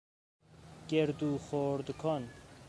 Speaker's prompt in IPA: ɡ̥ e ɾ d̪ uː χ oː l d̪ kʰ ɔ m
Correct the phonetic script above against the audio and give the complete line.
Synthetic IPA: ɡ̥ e ɾ d̪ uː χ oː ɾ d̪ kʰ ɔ n